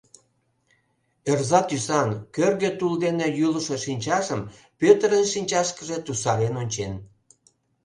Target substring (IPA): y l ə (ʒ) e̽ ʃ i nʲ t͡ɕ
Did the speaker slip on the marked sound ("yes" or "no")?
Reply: yes